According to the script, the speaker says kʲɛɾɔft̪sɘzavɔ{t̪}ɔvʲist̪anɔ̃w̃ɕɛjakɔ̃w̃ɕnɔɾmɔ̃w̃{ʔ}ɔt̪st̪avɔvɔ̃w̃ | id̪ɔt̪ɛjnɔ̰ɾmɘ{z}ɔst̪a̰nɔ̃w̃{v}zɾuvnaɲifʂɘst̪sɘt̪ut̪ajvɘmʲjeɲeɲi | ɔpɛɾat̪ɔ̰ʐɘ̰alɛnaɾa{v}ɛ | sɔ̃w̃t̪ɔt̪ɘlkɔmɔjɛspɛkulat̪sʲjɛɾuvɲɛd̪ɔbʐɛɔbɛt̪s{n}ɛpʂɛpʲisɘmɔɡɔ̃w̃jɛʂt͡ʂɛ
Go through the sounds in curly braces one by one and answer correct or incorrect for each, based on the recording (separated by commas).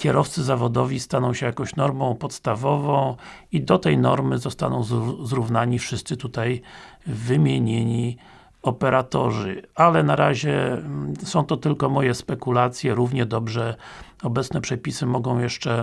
incorrect, incorrect, correct, incorrect, incorrect, correct